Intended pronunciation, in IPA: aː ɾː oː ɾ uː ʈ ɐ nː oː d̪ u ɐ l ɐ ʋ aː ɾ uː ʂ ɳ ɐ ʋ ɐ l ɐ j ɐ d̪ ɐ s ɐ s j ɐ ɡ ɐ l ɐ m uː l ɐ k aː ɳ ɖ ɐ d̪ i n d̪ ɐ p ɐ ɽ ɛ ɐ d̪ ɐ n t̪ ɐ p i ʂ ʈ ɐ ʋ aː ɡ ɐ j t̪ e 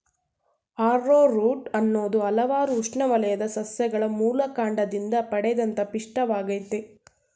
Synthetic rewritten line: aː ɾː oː ɾ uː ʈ ɐ nː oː d̪ u ɐ l ɐ ʋ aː ɾ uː ʂ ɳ ɐ ʋ ɐ l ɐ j ɐ d̪ ɐ s ɐ s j ɐ ɡ ɐ ɭ ɐ m uː l ɐ k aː ɳ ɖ ɐ d̪ i n d̪ ɐ p ɐ ɽ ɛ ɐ d̪ ɐ n t̪ ɐ p i ʂ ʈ ɐ ʋ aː ɡ ɐ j t̪ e